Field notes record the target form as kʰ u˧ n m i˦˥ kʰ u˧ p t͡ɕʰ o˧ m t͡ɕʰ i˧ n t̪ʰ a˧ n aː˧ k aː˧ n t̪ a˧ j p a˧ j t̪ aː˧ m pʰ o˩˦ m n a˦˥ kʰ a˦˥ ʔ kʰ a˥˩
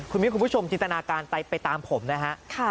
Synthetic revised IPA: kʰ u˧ n m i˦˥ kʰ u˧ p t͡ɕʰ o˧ m t͡ɕ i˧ n t̪ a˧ n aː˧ k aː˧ n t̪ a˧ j p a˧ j t̪ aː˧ m pʰ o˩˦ m n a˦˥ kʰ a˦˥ ʔ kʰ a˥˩